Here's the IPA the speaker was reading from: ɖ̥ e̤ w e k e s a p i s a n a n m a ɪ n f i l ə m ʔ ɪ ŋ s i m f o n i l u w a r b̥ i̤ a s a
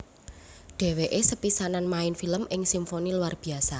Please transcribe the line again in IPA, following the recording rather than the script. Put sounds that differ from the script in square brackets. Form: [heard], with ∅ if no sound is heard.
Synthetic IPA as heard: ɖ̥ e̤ w e [ʔ] e s [ə] p i s a n a n m a ɪ n f i l ə m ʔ ɪ ŋ s i m f o n i l u w a r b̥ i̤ a s a